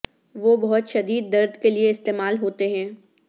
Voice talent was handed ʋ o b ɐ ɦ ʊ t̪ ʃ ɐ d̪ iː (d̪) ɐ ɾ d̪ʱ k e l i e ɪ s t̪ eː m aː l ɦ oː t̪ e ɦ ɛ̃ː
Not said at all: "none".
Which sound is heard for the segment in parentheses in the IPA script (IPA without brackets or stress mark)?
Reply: d̪ː